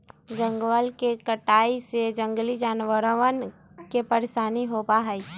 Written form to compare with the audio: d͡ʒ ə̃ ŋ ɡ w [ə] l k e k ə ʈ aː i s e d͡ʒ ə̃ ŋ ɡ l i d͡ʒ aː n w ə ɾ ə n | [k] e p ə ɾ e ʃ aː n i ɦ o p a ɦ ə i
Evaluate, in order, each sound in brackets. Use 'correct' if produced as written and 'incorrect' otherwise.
correct, correct

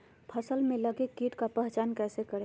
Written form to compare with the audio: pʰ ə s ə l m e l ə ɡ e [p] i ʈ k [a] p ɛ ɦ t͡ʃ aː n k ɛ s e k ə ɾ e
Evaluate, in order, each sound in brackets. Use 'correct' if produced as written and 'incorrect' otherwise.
incorrect, correct

